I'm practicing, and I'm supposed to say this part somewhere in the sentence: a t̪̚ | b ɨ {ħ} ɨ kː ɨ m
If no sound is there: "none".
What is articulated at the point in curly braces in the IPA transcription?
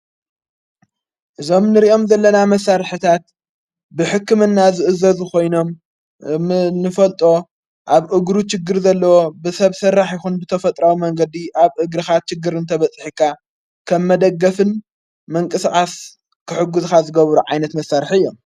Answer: ħ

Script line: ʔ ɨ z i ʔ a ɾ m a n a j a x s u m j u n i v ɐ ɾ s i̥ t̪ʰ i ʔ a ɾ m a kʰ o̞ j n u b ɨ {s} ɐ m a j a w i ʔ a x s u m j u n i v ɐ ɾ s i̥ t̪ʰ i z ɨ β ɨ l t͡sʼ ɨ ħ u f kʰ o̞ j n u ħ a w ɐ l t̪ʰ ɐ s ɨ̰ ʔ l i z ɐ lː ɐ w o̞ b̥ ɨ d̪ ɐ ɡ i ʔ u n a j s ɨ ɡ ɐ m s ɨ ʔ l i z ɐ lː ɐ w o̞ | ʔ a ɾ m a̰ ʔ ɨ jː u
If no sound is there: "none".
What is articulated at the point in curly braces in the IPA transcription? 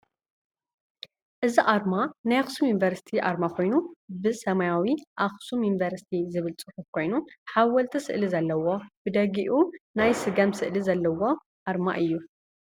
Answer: s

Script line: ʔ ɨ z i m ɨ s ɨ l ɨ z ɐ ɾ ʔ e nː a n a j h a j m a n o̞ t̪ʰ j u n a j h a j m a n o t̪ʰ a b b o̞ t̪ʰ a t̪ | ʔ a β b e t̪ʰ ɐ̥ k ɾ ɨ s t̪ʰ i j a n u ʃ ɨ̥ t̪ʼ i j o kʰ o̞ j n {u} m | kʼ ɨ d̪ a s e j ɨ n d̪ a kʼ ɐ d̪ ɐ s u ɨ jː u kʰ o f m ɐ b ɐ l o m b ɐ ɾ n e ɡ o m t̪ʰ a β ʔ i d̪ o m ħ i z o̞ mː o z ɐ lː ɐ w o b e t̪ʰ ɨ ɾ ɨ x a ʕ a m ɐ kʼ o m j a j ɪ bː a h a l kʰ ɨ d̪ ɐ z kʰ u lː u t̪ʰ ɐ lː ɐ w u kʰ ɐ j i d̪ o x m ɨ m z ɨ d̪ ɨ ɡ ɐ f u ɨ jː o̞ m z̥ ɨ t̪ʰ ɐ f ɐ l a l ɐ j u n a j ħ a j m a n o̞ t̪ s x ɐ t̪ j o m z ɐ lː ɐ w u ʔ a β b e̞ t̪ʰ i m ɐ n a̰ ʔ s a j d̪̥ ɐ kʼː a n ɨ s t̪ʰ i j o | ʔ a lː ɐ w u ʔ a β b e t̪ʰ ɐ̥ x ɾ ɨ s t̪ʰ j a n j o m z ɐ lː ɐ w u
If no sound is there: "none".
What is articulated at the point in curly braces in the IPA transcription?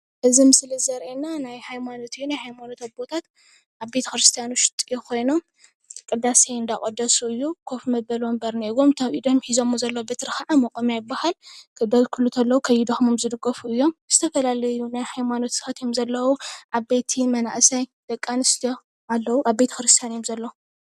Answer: o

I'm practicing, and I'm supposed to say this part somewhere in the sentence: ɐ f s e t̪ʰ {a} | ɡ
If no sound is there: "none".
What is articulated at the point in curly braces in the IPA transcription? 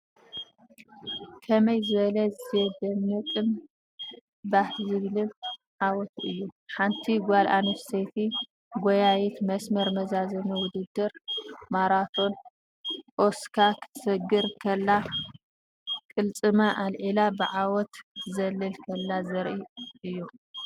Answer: i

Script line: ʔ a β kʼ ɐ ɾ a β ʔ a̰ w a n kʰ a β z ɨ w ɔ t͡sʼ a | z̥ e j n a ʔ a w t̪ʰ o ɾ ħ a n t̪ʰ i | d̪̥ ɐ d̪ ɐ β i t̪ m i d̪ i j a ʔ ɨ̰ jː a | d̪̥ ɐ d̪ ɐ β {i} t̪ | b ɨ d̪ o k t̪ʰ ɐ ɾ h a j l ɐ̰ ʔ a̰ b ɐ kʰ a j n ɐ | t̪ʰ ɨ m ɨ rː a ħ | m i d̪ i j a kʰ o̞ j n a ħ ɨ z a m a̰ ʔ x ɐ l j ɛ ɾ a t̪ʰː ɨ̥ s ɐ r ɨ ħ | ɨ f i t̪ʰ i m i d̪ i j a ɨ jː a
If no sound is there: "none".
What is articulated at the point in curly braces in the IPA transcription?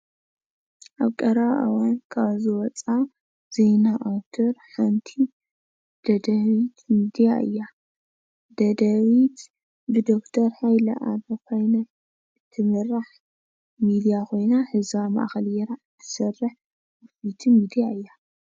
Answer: i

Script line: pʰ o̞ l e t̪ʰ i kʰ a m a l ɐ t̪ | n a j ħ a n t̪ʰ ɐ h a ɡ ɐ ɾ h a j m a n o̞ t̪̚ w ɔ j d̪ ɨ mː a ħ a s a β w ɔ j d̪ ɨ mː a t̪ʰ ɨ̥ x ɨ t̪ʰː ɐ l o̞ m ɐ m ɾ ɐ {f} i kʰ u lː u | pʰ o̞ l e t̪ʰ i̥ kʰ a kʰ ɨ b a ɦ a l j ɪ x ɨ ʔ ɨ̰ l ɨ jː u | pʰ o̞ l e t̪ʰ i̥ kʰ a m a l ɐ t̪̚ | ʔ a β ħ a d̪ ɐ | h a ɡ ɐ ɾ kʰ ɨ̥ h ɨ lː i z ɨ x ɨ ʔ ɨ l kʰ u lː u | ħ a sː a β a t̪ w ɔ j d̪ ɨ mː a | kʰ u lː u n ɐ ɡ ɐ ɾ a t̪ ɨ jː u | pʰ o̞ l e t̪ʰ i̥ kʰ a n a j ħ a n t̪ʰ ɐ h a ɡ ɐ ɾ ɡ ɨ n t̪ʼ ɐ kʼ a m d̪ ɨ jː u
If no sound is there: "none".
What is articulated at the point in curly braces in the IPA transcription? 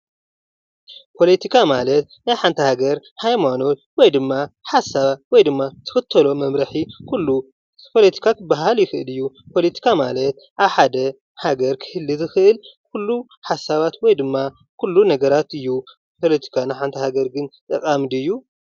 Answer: ħ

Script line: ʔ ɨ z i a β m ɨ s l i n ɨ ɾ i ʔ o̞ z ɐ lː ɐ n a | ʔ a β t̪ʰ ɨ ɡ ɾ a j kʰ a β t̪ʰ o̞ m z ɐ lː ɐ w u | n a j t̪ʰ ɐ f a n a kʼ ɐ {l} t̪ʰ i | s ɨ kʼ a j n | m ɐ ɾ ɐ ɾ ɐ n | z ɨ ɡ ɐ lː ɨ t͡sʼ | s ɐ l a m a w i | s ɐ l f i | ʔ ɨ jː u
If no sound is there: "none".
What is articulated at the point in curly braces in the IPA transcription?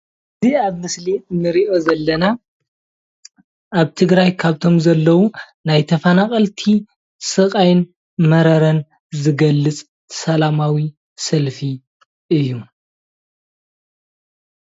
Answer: l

